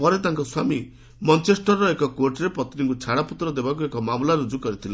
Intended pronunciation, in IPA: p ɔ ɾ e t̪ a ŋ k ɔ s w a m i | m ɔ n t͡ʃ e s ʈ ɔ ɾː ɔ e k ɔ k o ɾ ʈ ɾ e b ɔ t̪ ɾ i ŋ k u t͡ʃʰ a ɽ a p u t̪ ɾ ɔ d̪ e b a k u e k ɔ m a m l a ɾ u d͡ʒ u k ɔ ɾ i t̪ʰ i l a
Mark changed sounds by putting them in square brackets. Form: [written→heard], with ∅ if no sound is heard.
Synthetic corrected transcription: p ɔ ɾ e t̪ a ŋ k ɔ s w a m i | m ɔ n t͡ʃ e s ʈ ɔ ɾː ɔ e k ɔ k o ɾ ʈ ɾ e [b→p] ɔ t̪ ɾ i ŋ k u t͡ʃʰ a ɽ a p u t̪ ɾ ɔ d̪ e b a k u e k ɔ m a m l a ɾ u d͡ʒ u k ɔ ɾ i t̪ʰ i l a